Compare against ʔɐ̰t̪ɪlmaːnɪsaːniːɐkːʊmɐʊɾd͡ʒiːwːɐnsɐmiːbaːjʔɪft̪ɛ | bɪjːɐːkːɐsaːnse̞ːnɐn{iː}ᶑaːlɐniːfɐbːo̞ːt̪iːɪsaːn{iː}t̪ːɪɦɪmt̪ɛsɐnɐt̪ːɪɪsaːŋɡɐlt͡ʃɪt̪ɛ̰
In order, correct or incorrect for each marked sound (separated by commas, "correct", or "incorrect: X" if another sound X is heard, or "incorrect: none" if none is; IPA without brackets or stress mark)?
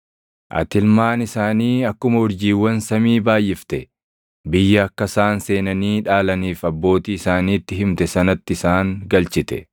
correct, correct